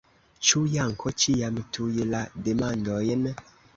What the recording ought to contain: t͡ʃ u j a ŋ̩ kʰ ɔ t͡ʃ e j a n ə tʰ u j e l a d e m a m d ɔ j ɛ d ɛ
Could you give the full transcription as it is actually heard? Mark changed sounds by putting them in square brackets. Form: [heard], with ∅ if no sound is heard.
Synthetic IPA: t͡ʃ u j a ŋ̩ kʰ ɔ t͡ʃ [i] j a [m] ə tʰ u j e l a d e m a [n] d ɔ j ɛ [n] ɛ